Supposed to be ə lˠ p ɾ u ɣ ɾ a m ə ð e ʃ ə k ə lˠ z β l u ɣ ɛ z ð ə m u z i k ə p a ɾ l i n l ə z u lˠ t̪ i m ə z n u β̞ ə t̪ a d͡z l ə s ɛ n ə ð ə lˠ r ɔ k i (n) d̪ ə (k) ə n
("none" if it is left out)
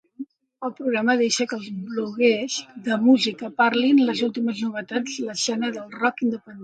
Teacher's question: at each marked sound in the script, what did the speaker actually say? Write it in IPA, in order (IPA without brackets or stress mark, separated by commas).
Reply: n, p